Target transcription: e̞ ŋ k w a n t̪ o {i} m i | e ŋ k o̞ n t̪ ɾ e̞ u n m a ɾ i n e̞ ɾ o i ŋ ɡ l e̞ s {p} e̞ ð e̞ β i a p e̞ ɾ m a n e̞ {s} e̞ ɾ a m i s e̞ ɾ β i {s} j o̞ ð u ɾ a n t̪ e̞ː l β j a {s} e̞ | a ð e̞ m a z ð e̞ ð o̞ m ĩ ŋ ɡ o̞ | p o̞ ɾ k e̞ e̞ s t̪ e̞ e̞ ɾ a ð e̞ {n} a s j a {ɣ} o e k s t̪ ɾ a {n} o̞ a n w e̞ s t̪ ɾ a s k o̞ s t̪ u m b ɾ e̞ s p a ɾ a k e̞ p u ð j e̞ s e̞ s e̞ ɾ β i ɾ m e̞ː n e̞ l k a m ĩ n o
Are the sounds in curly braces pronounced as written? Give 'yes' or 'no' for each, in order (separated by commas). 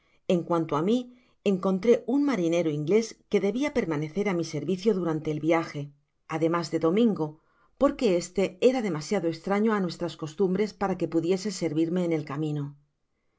no, no, no, no, no, no, no, no